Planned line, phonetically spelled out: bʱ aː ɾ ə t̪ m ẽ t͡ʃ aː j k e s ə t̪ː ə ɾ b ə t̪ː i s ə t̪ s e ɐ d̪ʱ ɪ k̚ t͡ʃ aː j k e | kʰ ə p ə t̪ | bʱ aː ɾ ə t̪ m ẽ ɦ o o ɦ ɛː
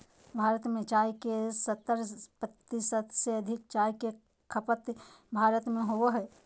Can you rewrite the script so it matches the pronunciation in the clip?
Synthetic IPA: bʱ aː ɾ ə t̪ m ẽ t͡ʃ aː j k e s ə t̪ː ə ɾ p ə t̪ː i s ə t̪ s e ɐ d̪ʱ ɪ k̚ t͡ʃ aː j k e | kʰ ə p ə t̪ | bʱ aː ɾ ə t̪ m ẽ ɦ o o ɦ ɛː